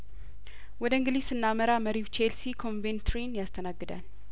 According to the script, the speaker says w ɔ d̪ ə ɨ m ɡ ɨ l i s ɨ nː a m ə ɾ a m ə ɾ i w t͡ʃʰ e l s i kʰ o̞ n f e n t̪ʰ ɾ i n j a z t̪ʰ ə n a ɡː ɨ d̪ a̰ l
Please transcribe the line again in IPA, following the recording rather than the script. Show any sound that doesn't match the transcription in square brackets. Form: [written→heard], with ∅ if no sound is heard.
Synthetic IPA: w ɔ d̪ ə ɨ [m→ŋ] ɡ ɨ l i s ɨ nː a m ə ɾ a m ə ɾ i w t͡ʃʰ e l s i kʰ o̞ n [f→v] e n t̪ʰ ɾ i n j a [z→s] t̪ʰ ə n a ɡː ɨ d̪ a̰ l